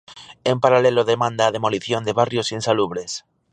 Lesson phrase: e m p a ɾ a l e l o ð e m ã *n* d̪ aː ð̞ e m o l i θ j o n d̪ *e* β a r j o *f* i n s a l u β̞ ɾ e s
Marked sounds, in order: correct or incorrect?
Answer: correct, correct, incorrect

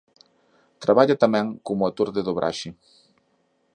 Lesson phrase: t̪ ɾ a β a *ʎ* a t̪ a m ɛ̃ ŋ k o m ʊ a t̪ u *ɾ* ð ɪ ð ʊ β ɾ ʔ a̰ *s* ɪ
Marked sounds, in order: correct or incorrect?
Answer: correct, correct, incorrect

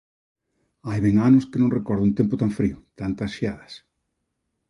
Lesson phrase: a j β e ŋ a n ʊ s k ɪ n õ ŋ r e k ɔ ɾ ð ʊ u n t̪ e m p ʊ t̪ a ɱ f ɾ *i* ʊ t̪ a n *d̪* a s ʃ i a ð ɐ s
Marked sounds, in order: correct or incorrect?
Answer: correct, incorrect

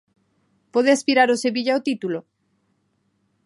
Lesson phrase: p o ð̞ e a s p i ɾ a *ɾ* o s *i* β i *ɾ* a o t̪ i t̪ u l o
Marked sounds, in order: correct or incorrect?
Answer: correct, incorrect, incorrect

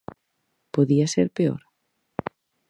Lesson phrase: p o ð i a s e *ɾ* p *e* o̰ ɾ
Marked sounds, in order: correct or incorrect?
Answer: correct, correct

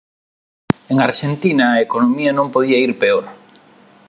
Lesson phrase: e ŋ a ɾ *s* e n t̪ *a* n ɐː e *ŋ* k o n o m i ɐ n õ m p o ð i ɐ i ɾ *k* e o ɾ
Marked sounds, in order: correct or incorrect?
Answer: incorrect, incorrect, incorrect, incorrect

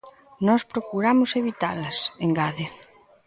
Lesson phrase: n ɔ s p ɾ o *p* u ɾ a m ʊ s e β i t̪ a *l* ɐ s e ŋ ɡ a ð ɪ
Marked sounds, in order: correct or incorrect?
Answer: incorrect, correct

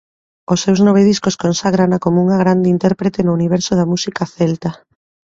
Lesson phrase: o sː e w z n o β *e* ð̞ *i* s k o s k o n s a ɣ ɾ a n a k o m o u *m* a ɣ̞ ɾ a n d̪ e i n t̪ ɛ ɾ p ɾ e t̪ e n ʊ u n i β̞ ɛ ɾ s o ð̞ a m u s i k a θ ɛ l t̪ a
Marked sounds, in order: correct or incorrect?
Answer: correct, correct, incorrect

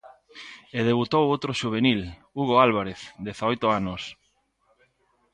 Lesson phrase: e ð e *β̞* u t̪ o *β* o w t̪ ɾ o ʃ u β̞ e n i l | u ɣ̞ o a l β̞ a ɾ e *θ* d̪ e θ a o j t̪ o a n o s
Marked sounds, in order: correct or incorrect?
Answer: correct, incorrect, correct

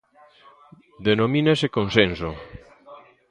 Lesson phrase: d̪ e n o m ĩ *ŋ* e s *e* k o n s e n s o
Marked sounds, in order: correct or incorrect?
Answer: incorrect, correct

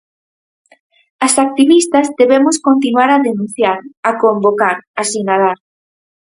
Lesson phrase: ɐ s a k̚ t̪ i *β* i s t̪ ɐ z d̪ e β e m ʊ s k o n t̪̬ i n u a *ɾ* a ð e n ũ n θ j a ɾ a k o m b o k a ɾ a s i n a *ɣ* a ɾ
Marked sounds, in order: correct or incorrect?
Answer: correct, correct, incorrect

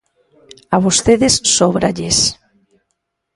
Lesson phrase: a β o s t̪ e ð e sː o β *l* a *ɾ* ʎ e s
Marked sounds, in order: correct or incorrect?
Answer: incorrect, incorrect

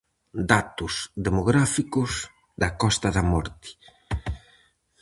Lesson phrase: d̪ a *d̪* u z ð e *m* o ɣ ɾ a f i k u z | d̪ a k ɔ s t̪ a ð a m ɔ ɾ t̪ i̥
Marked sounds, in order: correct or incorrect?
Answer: incorrect, correct

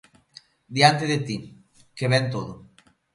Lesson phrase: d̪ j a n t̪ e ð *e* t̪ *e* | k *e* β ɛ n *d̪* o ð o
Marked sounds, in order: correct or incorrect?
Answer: correct, incorrect, correct, incorrect

